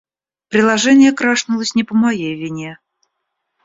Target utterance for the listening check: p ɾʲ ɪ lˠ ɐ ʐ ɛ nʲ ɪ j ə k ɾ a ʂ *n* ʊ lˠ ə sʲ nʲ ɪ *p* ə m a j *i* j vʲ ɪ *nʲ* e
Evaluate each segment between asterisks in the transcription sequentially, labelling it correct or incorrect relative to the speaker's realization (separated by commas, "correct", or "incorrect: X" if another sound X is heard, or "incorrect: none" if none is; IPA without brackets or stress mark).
correct, correct, incorrect: e, correct